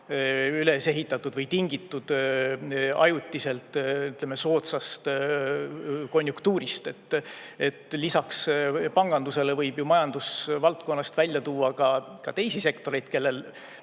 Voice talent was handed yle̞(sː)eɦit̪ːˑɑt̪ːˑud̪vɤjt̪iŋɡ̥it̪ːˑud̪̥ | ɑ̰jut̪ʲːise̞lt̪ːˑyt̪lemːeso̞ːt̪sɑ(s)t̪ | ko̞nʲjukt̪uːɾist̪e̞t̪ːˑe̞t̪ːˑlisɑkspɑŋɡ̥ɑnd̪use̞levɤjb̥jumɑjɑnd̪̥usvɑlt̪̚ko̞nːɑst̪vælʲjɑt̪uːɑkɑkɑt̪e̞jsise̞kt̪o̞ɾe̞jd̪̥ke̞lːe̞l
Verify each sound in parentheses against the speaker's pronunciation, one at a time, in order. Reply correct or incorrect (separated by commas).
incorrect, correct